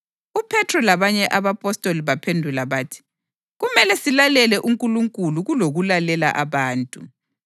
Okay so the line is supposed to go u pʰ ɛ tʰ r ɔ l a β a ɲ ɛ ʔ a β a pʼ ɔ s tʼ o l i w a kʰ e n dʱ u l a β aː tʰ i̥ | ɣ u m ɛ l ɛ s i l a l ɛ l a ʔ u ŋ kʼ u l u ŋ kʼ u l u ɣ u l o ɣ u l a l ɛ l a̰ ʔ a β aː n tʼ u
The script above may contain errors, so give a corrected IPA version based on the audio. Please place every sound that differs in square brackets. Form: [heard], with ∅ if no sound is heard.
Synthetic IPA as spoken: u pʰ ɛ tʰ r ɔ l a β a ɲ ɛ ʔ a β a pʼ ɔ s tʼ o l i [β] a [pʰ] e n dʱ u l a β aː tʰ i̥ | ɣ u m ɛ l ɛ s i l a l ɛ l [ɛ] ʔ u ŋ kʼ u l u ŋ kʼ u l u ɣ u l o ɣ u l a l ɛ l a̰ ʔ a β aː n tʼ u